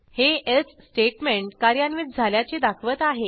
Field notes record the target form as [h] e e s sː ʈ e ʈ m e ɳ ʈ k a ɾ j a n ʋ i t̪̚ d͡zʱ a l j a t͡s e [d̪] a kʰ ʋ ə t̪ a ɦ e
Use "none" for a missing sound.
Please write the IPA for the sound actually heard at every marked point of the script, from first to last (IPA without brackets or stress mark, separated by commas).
h, d̪